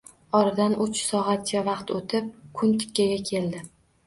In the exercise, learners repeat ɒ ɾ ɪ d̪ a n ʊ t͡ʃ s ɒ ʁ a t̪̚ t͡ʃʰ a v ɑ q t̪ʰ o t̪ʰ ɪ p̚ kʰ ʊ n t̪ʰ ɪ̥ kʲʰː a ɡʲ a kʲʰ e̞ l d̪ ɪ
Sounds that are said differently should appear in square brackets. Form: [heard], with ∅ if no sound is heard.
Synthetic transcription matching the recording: ɒ ɾ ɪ d̪ a n ʊ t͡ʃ s ɒ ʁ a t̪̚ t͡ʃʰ a v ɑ q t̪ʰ o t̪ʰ ɪ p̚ kʰ ʊ n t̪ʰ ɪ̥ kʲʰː a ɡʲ a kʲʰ e̞ l d̪ ɪ